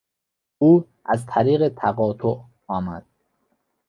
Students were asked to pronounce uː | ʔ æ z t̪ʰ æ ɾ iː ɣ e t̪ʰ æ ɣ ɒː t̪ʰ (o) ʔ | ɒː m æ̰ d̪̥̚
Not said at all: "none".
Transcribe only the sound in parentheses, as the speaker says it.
o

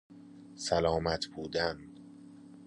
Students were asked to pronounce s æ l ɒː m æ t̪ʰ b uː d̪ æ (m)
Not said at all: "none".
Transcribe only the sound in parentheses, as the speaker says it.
n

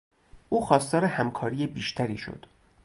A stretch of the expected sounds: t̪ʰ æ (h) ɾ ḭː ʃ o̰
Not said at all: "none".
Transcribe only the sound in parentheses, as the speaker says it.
none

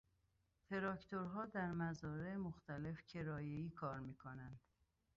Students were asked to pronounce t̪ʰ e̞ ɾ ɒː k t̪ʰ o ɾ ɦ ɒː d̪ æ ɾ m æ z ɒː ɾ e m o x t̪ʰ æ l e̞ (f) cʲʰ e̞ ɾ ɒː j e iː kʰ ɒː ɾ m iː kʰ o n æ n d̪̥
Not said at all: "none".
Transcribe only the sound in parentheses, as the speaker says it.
f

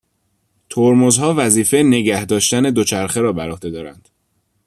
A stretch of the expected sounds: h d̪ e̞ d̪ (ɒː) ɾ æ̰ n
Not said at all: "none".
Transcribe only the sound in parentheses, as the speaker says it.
ɒː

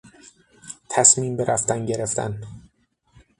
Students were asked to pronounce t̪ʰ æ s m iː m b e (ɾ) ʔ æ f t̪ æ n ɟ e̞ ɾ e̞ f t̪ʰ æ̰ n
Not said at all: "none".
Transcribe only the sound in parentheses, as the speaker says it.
ɾ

